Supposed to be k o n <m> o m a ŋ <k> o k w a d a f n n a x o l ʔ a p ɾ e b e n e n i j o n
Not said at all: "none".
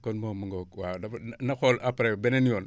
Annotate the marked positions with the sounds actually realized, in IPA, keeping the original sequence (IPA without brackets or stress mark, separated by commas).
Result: m, ɡ